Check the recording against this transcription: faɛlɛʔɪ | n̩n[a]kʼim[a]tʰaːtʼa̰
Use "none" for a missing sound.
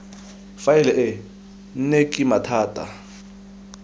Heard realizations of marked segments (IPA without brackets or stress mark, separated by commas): e, a